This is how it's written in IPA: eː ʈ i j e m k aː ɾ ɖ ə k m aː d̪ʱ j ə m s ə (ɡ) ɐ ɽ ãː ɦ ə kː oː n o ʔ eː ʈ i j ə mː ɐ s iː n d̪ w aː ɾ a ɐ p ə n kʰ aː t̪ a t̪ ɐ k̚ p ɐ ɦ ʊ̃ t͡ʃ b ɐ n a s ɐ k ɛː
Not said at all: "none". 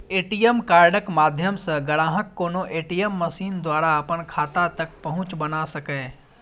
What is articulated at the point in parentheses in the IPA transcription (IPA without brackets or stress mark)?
ɡ